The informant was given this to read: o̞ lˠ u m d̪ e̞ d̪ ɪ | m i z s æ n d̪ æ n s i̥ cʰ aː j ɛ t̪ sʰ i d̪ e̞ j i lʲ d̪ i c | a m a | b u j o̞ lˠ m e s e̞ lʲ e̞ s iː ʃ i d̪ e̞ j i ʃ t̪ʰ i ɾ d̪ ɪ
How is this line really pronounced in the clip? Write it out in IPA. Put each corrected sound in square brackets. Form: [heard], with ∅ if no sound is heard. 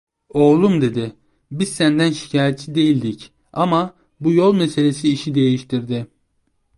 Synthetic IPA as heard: o̞ lˠ u m d̪ e̞ d̪ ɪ | [b] i z s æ n d̪ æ n [ʃ] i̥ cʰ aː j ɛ t̪ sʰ i d̪ e̞ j i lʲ d̪ i c | a m a | b u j o̞ lˠ m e s e̞ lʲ e̞ s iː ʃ i d̪ e̞ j i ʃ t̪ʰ i ɾ d̪ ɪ